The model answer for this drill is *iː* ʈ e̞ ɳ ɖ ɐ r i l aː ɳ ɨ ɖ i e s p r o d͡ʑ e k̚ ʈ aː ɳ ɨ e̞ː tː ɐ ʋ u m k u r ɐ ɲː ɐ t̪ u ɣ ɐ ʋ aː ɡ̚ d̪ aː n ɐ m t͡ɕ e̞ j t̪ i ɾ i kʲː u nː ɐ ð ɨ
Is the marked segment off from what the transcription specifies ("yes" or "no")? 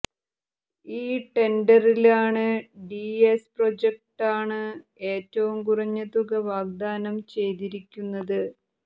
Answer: no